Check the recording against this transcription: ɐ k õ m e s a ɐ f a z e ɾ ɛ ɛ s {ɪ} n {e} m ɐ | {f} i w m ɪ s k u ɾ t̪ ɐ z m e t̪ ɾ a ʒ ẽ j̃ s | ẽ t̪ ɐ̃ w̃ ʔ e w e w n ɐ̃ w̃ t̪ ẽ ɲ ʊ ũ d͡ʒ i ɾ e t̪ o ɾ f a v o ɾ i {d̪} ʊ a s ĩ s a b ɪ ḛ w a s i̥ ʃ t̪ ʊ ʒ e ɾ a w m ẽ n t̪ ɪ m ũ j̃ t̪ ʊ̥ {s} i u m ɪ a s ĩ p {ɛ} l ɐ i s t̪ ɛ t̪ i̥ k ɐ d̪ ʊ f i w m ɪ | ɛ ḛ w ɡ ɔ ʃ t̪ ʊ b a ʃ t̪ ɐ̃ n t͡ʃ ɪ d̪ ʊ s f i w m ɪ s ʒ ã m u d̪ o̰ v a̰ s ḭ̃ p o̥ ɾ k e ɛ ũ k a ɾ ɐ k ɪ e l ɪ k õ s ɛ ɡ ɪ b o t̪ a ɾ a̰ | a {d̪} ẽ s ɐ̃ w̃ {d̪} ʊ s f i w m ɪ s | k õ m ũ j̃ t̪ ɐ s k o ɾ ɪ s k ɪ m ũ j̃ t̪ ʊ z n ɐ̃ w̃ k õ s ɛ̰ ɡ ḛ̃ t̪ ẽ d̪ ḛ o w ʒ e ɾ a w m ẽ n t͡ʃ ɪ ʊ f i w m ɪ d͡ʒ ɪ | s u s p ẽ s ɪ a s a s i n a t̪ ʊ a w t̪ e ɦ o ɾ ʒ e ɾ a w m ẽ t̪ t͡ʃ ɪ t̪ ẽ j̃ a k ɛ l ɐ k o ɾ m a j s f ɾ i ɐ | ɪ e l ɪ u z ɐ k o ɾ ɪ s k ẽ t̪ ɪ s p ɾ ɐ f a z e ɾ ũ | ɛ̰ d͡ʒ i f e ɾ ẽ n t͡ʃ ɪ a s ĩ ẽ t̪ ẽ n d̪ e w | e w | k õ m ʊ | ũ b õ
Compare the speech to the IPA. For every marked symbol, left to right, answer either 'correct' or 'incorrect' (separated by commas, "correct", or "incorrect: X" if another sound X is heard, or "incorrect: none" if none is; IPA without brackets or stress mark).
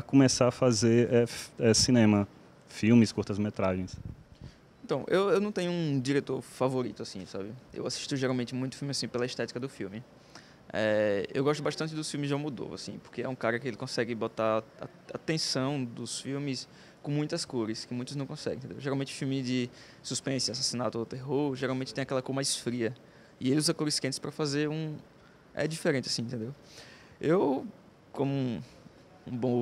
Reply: incorrect: i, incorrect: ẽ, correct, incorrect: t̪, incorrect: f, incorrect: e, incorrect: t̪, correct